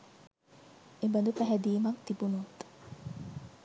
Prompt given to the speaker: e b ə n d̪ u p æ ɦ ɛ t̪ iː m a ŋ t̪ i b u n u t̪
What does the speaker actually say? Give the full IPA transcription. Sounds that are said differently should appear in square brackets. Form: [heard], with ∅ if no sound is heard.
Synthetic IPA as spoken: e b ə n d̪ u p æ ɦ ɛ [d̪] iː m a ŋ t̪ i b u n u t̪